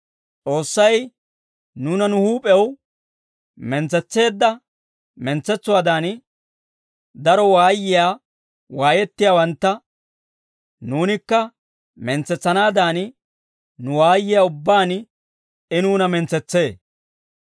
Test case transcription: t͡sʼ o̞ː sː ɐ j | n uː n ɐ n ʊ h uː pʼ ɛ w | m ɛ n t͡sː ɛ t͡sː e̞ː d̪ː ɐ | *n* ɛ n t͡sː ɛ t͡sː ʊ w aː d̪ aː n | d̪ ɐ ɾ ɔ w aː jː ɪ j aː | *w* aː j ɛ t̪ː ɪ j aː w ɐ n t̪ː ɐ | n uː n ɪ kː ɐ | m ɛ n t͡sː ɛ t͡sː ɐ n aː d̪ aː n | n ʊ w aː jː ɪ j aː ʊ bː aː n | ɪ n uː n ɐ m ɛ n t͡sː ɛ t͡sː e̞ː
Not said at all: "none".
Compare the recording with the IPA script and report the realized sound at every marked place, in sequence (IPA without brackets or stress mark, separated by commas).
m, w